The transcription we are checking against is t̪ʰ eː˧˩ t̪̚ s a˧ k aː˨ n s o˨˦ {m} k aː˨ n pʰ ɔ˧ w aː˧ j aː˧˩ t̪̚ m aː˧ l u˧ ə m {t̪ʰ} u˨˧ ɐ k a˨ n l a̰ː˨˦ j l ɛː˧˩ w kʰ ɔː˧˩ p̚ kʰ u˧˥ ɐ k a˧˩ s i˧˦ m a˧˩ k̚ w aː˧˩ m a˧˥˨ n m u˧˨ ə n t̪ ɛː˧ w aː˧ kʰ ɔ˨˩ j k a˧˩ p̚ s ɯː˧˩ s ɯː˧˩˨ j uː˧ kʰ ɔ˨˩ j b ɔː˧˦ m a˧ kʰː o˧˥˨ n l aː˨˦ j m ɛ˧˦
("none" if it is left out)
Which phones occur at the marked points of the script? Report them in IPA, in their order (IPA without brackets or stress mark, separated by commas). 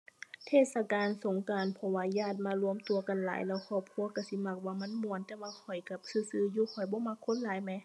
ŋ, t̪